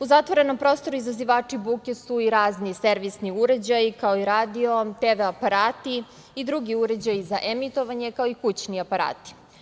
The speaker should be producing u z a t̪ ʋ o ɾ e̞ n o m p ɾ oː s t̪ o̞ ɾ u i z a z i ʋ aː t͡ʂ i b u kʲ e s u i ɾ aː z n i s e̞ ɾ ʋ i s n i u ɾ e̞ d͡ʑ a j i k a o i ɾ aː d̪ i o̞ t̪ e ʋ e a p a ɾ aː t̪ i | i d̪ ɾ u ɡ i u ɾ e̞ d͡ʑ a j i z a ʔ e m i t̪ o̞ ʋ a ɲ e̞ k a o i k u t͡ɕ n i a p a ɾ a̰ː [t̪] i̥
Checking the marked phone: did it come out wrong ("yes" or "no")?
no